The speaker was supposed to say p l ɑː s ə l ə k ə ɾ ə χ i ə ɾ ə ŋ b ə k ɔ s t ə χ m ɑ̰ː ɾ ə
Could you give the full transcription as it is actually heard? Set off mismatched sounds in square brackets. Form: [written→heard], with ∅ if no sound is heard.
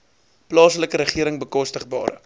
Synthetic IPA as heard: p l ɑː s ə l ə k ə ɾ ə χ i ə ɾ ə ŋ b ə k ɔ s t ə χ [m→b] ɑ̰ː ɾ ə